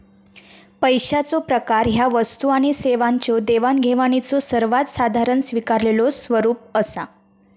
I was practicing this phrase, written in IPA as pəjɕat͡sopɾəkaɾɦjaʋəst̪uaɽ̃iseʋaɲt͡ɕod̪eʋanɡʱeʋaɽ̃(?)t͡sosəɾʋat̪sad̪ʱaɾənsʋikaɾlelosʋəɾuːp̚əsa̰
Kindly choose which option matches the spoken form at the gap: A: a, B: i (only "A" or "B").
B